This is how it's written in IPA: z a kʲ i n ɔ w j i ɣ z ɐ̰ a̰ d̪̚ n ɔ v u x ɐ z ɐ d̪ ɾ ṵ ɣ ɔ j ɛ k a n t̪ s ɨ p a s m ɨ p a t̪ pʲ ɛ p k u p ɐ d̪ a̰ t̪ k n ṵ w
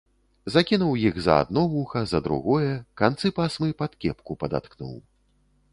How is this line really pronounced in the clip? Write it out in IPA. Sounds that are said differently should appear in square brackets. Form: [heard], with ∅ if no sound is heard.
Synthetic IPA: z a kʲ i n [u] w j i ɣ z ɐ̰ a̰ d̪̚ n ɔ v u x ɐ z ɐ d̪ ɾ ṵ ɣ ɔ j ɛ k a n t̪ s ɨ p a s m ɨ p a t̪ [kʲ] ɛ p k u p ɐ d̪ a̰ t̪ k n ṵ w